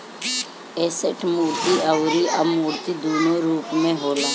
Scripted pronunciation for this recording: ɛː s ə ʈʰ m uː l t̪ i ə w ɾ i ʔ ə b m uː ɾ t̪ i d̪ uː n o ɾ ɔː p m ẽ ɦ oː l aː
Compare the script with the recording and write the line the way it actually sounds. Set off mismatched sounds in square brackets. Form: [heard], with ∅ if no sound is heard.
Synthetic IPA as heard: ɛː s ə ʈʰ m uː [ɾ] t̪ i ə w ɾ i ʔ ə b m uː ɾ t̪ i d̪ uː n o ɾ [uː] p m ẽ ɦ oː l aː